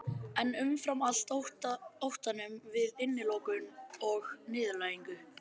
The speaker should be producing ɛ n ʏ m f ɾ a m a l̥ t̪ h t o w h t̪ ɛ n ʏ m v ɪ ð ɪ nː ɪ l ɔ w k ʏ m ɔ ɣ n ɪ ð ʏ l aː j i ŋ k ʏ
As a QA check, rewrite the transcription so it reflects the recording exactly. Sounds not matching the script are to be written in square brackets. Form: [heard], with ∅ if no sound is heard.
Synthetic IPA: ɛ n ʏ m f ɾ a m a l̥ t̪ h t o w h t̪ [a] n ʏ m v ɪ ð ɪ nː ɪ l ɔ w k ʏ [n] ɔ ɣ n [ɪː] ð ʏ l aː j i ŋ k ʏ

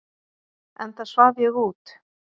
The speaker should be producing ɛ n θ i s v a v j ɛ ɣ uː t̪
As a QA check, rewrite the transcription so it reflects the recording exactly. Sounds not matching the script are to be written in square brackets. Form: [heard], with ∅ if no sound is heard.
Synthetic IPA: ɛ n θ [a] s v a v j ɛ ɣ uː t̪

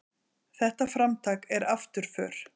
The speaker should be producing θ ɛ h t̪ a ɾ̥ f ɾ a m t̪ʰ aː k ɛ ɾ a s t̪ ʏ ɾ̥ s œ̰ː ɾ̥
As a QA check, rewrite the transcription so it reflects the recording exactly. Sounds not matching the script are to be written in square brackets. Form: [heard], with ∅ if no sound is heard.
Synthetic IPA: θ ɛ h t̪ a [∅] f ɾ a m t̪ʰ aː k ɛ ɾ a [f] t̪ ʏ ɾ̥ [f] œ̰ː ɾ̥

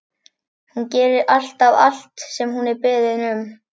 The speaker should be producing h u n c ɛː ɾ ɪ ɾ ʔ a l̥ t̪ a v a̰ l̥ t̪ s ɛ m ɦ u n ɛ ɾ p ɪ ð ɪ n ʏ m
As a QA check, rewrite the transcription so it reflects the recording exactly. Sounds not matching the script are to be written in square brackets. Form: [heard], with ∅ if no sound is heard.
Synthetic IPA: h u n c ɛː ɾ ɪ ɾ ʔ a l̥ t̪ a v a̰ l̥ t̪ s ɛ m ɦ u n ɛ ɾ p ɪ ð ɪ n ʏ m

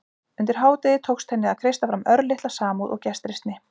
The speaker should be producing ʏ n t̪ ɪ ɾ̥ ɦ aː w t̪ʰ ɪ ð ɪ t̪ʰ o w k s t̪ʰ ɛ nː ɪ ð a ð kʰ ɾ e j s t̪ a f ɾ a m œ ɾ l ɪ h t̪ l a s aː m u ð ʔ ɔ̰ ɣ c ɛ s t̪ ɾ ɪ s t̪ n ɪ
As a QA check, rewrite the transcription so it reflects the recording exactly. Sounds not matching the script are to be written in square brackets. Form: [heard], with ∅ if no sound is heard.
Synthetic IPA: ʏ n t̪ ɪ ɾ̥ ɦ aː w [t̪] ɪ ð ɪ t̪ʰ o w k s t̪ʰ ɛ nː ɪ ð a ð kʰ ɾ e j s t̪ a f ɾ a m œ ɾ l ɪ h t̪ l a s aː m u ð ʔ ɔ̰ ɣ c ɛ s t̪ ɾ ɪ s t̪ n ɪ

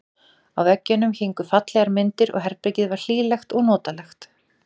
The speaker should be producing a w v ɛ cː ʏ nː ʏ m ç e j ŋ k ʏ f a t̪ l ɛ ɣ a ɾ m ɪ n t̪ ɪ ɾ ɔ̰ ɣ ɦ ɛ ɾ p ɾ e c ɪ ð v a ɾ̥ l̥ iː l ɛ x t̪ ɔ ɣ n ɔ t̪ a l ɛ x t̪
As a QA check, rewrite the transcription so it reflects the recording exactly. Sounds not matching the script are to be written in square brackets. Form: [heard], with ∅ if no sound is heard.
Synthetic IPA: a w v ɛ cː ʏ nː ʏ m ç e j ŋ k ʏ f a t̪ l ɛ ɣ a ɾ m ɪ n t̪ ɪ ɾ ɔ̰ ɣ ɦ ɛ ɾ p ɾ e c ɪ ð v a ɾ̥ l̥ iː l ɛ x t̪ ɔ ɣ n [ɔː] t̪ a l ɛ x t̪

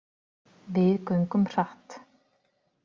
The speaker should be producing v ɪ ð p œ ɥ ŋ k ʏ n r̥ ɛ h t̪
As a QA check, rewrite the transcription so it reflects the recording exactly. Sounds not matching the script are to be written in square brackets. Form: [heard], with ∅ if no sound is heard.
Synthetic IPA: v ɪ ð [k] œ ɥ ŋ k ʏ [m] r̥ [a] h t̪

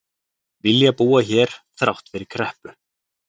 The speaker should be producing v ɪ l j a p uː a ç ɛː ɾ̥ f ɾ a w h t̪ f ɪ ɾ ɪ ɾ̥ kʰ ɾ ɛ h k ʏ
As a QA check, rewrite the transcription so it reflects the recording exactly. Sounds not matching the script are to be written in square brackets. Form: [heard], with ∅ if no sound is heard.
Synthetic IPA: v ɪ l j a p uː a ç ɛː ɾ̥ [θ] ɾ a w h t̪ f ɪ ɾ ɪ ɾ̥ kʰ ɾ ɛ h [p] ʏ

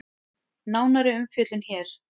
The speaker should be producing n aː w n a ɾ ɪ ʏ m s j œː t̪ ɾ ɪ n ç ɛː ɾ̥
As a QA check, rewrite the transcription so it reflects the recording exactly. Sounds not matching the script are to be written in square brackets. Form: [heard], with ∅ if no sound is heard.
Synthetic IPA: n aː w n a ɾ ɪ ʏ m [f] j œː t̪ [l] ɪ n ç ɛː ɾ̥

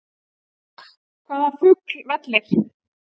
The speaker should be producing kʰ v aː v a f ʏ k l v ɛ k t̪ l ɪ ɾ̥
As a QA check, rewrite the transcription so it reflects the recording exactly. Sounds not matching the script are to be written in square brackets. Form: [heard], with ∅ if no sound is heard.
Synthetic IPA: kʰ v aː [ð] a f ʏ k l v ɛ [∅] t̪ l ɪ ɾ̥

